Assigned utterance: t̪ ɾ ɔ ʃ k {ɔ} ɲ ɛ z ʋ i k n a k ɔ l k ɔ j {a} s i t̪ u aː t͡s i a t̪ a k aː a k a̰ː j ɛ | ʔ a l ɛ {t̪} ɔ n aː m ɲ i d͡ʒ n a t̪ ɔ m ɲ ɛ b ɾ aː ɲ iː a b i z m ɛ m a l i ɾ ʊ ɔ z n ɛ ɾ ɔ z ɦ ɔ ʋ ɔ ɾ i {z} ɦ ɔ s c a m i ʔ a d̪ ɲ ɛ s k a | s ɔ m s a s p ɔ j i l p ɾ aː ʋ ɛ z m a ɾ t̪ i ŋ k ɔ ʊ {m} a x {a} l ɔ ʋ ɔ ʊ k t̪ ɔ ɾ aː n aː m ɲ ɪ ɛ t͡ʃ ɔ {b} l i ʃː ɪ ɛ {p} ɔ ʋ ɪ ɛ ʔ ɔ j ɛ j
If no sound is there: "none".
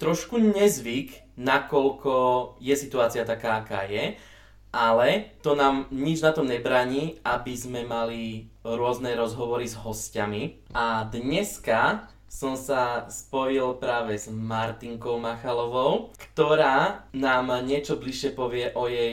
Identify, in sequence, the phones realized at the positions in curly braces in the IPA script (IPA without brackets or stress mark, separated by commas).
u, ɛ, t̪, z, m, a, b, p